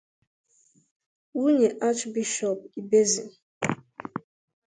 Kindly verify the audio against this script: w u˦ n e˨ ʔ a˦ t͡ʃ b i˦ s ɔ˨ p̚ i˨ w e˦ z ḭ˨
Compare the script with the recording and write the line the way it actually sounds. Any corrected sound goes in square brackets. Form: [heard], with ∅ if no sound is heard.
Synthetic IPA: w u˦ [ɲ] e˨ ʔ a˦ t͡ʃ b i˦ [ʃ] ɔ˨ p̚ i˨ [b] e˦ z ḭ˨